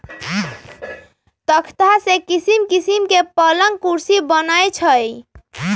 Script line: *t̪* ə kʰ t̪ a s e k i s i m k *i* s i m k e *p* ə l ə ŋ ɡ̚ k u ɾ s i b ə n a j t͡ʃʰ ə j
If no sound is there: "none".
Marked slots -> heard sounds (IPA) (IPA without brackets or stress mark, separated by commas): t̪, i, p